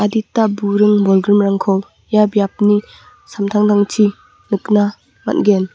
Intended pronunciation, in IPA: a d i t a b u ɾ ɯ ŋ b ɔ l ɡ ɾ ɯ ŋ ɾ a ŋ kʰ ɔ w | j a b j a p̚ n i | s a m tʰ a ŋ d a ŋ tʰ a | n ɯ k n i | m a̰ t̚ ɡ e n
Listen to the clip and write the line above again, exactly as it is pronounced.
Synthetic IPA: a d i t a b u ɾ ɯ ŋ b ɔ l ɡ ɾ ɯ m ɾ a ŋ kʰ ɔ w | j a b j a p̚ n i | s a m tʰ a ŋ d a ŋ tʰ i | n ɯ k n a | m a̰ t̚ ɡ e n

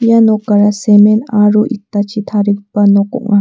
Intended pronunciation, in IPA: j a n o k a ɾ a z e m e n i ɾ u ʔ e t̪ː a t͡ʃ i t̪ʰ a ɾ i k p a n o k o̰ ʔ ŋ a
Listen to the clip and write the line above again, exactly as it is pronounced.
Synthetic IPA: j a n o k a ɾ a s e m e n a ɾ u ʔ i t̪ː a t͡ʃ i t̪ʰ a ɾ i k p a n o k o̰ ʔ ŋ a

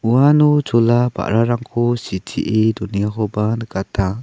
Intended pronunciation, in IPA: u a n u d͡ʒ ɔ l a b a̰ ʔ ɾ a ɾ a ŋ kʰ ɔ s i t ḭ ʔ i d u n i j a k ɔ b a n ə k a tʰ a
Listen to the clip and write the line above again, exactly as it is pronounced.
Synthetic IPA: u a n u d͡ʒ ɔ l a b a̰ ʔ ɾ a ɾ a ŋ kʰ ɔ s i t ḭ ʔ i d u n i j a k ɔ b a n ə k a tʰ a

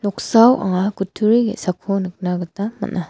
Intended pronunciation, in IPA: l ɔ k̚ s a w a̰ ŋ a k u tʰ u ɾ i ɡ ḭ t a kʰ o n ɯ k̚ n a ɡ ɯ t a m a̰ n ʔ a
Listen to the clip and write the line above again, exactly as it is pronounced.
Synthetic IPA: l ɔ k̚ s a w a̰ ŋ a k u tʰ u ɾ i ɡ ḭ s a kʰ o n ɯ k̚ n a ɡ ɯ t a m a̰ n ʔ a

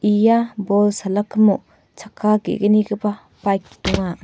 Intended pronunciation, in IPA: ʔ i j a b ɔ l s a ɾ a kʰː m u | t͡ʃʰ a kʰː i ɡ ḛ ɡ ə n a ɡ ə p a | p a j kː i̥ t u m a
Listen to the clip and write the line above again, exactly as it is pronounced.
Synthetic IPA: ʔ i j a b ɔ l s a l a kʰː m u | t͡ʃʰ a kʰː a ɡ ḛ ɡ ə n i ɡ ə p a | p a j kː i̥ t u ŋ a

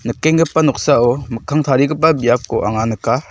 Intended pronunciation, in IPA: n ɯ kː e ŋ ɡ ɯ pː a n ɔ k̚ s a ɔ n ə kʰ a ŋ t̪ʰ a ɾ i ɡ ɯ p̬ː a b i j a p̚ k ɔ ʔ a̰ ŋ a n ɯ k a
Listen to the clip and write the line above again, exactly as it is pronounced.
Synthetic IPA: n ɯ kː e ŋ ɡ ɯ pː a n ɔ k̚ s a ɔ m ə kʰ a ŋ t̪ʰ a ɾ i ɡ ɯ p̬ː a b i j a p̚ k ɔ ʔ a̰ ŋ a n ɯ k a

